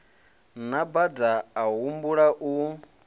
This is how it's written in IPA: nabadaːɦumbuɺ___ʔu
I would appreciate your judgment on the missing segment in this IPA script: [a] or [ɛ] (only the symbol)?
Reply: a